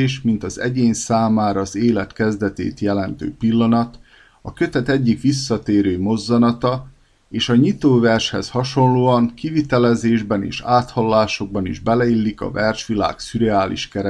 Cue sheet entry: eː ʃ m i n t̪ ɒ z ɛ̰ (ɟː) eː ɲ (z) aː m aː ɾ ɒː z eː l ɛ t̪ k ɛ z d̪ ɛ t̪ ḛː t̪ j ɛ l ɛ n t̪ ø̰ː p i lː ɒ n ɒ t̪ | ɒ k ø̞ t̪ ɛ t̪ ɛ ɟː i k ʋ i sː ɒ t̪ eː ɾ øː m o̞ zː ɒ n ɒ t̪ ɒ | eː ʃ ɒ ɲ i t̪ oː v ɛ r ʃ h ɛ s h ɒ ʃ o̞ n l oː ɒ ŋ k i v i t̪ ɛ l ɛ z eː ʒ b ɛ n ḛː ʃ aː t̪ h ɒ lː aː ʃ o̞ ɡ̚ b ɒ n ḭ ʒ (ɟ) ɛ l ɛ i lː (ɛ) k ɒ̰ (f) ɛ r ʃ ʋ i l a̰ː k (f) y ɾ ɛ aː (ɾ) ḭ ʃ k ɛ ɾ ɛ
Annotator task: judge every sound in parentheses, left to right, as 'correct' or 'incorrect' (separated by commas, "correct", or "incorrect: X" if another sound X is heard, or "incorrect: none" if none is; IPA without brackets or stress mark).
incorrect: ɟ, incorrect: s, incorrect: b, incorrect: i, incorrect: v, incorrect: s, incorrect: l